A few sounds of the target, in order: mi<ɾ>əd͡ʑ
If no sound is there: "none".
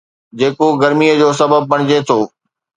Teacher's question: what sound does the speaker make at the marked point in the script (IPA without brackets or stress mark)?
none